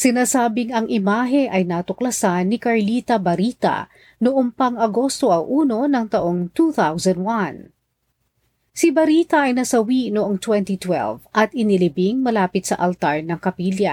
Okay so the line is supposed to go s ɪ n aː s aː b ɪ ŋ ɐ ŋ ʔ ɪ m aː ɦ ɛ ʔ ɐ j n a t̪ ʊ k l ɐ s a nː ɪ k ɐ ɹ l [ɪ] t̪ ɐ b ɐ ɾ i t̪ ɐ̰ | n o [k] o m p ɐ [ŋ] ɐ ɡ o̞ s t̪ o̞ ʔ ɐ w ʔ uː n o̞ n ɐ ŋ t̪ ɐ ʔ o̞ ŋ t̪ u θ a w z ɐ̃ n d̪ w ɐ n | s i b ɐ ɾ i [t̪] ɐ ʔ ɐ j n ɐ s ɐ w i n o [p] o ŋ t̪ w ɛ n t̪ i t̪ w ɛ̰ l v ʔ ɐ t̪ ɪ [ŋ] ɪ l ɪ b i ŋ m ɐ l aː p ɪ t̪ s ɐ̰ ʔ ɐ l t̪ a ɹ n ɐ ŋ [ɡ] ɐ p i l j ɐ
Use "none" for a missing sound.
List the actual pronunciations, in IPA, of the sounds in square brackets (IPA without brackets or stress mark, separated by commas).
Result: i, ʔ, ŋ, t̪, ʔ, n, k